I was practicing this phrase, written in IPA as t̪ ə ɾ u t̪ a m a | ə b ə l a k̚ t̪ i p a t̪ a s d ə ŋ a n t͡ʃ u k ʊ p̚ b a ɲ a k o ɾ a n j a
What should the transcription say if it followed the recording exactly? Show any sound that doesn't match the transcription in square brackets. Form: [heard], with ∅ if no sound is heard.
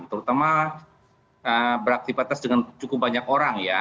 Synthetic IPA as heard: t̪ ə ɾ u t̪ a m a | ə b ə [ɾ] a k̚ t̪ i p a t̪ a s d ə ŋ a n t͡ʃ u k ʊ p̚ b a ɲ a k o ɾ a [ŋ] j a